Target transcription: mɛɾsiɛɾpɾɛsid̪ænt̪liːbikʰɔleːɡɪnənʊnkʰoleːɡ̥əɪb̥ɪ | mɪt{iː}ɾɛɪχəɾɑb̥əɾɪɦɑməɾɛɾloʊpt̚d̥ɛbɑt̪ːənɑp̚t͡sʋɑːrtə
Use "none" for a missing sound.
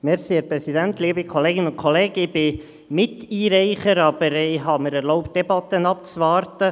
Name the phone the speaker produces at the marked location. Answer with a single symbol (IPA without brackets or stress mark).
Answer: iː